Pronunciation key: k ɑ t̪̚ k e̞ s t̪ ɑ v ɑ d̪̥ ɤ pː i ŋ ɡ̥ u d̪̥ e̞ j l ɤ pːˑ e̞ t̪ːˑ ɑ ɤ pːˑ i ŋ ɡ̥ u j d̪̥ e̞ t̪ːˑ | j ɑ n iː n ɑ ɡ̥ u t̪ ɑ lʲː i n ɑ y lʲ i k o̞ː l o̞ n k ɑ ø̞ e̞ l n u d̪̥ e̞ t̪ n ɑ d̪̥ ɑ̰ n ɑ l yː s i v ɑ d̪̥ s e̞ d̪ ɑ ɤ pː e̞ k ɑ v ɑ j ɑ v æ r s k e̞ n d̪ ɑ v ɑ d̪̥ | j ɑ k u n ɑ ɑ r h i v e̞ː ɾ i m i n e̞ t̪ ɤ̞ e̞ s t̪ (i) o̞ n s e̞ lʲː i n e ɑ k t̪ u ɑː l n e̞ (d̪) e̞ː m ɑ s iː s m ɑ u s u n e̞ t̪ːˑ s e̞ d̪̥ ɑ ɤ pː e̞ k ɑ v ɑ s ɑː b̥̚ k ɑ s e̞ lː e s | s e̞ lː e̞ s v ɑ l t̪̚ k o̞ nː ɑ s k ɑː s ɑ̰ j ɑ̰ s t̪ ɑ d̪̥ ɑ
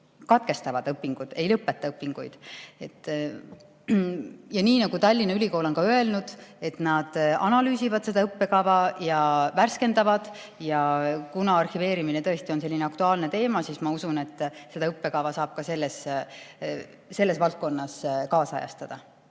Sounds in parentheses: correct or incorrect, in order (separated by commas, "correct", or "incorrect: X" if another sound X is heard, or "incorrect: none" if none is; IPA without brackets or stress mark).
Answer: correct, incorrect: t̪